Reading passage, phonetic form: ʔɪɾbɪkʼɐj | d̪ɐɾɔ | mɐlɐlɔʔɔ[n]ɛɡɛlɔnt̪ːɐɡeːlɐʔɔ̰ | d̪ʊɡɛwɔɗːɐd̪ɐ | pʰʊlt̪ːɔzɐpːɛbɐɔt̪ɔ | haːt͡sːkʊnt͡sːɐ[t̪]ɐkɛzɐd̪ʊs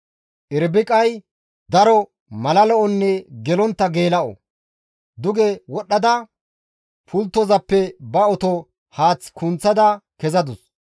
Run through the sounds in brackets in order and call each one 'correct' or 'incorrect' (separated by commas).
incorrect, incorrect